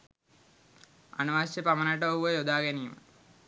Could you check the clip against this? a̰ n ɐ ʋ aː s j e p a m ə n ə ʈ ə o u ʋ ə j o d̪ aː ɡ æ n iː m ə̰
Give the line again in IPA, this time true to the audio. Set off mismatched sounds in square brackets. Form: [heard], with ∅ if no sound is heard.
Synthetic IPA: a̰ n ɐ ʋ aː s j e p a m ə n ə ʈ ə o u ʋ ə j o d̪ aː ɡ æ n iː m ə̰